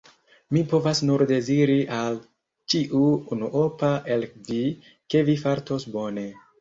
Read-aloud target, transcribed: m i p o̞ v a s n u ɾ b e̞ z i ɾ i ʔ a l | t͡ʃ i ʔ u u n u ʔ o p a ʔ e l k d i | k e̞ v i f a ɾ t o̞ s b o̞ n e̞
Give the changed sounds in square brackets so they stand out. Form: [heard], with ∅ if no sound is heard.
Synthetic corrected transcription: m i p o̞ v a s n u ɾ [d] e̞ z i ɾ i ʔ a l | t͡ʃ i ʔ u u n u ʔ o p a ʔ e l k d i | k e̞ v i f a ɾ t o̞ s b o̞ n e̞

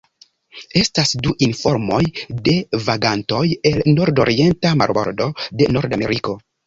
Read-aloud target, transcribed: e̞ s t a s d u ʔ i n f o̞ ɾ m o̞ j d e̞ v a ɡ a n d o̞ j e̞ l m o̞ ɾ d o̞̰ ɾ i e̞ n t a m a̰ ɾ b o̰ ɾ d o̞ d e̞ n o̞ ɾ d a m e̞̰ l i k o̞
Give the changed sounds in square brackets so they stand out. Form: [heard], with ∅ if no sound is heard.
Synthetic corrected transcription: e̞ s t a s d u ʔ i n f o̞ ɾ m o̞ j d e̞ v a ɡ a n [t] o̞ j e̞ l [n] o̞ ɾ d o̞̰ ɾ i e̞ n t a m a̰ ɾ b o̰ ɾ d o̞ d e̞ n o̞ ɾ d a m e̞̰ [ɾ] i k o̞

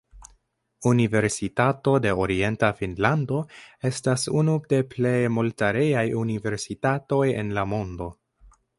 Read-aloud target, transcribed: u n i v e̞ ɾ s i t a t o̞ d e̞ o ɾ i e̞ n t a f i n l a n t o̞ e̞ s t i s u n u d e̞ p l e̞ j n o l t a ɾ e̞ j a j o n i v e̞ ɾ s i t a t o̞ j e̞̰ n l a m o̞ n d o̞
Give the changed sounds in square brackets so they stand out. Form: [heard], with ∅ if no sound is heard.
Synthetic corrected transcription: u n i v e̞ ɾ s i t a t o̞ d e̞ o ɾ i e̞ n t a f i n l a n [d] o̞ e̞ s t [a] s u n u d e̞ p l e̞ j [m] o l t a ɾ e̞ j a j [u] n i v e̞ ɾ s i t a t o̞ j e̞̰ n l a m o̞ n d o̞

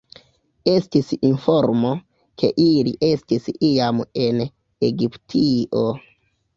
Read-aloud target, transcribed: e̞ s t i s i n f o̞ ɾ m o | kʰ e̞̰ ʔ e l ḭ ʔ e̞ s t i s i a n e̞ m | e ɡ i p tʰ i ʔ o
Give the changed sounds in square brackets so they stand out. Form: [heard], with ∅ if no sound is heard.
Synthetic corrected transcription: e̞ s t i s i n f o̞ ɾ m o | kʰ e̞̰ ʔ [i] l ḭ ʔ e̞ s t i s i a [m] e̞ [n] | e ɡ i p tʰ i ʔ o

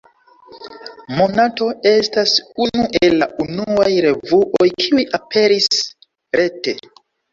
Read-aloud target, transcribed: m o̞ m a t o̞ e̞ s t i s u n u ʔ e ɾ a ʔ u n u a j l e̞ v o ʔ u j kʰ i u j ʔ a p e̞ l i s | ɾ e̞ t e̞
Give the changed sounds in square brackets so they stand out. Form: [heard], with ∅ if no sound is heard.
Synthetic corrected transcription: m o̞ [n] a t o̞ e̞ s t [a] s u n u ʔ e [l] a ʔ u n u a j [ɾ] e̞ v [u] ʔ [o] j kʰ i u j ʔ a p e̞ [ɾ] i s | ɾ e̞ t e̞

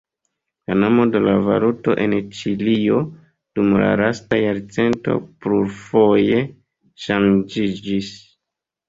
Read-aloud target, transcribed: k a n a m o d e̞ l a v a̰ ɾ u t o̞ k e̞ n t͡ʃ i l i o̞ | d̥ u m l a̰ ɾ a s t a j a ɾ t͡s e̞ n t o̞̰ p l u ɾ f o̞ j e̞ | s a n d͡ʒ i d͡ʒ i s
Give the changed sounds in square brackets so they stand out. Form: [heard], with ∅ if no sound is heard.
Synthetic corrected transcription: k a n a m o d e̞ l a v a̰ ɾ u t o̞ [ʔ] e̞ n t͡ʃ i l i o̞ | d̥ u m l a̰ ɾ a s t a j a ɾ t͡s e̞ n t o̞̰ p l u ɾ f o̞ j e̞ | [ʃ] a n d͡ʒ i d͡ʒ i s

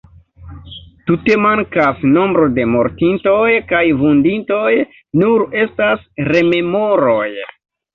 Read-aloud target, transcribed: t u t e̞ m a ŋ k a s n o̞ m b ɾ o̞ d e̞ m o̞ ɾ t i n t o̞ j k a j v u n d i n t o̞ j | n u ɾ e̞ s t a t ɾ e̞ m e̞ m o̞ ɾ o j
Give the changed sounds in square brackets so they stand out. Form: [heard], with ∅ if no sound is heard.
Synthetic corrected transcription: t u t e̞ m a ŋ k a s n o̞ m b ɾ o̞ d e̞ m o̞ ɾ t i n t o̞ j k a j v u n d i n t o̞ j | n u ɾ e̞ s t a [s] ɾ e̞ m e̞ m o̞ ɾ o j

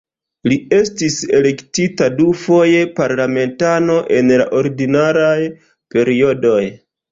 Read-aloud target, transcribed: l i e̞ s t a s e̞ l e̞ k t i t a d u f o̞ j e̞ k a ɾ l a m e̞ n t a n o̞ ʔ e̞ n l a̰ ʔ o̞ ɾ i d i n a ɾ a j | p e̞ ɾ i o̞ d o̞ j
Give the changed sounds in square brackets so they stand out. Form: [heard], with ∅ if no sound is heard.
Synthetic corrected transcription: l i e̞ s t [i] s e̞ l e̞ k t i t a d u f o̞ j e̞ [p] a ɾ l a m e̞ n t a n o̞ ʔ e̞ n l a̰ ʔ o̞ ɾ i d i n a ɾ a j | p e̞ ɾ i o̞ d o̞ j

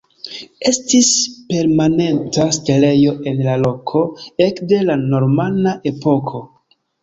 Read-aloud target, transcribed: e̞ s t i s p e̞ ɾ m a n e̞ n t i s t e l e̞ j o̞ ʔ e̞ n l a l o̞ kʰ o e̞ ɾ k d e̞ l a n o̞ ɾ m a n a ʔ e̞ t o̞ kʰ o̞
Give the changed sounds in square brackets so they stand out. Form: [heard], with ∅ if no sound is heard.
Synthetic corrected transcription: e̞ s t i s p e̞ ɾ m a n e̞ n t [a] s t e l e̞ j o̞ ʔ e̞ n l a l o̞ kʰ o e̞ [∅] k d e̞ l a n o̞ ɾ m a n a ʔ e̞ [p] o̞ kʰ o̞

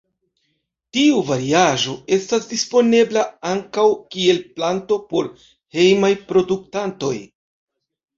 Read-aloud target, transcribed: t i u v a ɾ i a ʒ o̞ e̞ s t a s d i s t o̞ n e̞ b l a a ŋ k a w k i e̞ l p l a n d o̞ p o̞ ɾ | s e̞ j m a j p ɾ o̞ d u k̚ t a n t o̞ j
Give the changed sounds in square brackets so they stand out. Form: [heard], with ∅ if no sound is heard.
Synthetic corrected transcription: t i u v a ɾ i a ʒ o̞ e̞ s t a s d i s [p] o̞ n e̞ b l a a ŋ k a w k i e̞ l p l a n [t] o̞ p o̞ ɾ | [h] e̞ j m a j p ɾ o̞ d u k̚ t a n t o̞ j

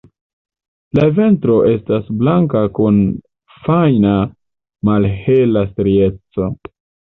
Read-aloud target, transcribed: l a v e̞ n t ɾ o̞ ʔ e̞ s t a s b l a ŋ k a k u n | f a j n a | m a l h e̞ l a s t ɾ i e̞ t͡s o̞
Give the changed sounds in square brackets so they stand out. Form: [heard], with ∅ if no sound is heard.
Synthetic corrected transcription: l a v e̞ n t ɾ o̞ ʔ e̞ s t a s b l a ŋ k a k u n | f a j n a | m a l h e̞ l a s t ɾ i e̞ t͡s o̞

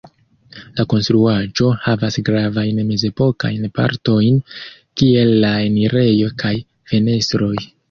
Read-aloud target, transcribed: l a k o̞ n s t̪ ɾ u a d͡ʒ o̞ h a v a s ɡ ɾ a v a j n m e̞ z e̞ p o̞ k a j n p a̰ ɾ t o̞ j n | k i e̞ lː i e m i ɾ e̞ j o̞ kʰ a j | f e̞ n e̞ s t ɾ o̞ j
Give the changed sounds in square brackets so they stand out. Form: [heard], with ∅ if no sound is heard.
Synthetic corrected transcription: l a k o̞ n s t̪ ɾ u a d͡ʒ o̞ h a v a s ɡ ɾ a v a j n m e̞ z e̞ p o̞ k a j n p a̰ ɾ t o̞ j n | k i e̞ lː [a] e [n] i ɾ e̞ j o̞ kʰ a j | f e̞ n e̞ s t ɾ o̞ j

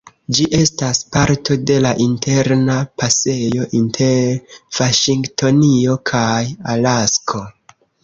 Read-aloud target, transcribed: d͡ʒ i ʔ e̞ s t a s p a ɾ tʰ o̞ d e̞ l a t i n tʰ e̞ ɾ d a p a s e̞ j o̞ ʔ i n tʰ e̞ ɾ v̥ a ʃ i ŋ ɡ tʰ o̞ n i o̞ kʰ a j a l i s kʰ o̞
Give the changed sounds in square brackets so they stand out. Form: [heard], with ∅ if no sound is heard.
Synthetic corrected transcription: d͡ʒ i ʔ e̞ s t a s p a ɾ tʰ o̞ d e̞ l a [ʔ] i n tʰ e̞ ɾ [n] a p a s e̞ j o̞ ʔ i n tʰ e̞ ɾ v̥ a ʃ i ŋ ɡ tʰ o̞ n i o̞ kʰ a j a l [a] s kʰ o̞

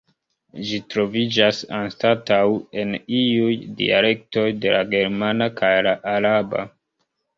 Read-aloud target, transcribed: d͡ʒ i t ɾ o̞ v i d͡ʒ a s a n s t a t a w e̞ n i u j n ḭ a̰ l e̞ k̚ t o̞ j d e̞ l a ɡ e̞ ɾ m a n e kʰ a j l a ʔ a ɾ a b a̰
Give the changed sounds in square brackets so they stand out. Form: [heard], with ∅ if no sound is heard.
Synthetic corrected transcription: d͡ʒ i t ɾ o̞ v i d͡ʒ a s a n s t a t a w e̞ n i u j [d] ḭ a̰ l e̞ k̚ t o̞ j d e̞ l a ɡ e̞ ɾ m a n [a] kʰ a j l a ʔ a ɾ a b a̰

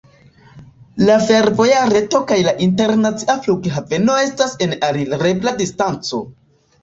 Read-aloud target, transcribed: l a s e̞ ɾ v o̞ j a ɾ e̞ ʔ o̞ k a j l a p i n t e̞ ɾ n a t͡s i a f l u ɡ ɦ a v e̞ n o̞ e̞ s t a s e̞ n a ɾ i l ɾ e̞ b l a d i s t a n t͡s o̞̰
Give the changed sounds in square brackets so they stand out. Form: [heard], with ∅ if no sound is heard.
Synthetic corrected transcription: l a [f] e̞ ɾ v o̞ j a ɾ e̞ [t] o̞ k a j l a [ʔ] i n t e̞ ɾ n a t͡s i a f l u ɡ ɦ a v e̞ n o̞ e̞ s t a s e̞ n a ɾ i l ɾ e̞ b l a d i s t a n t͡s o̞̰

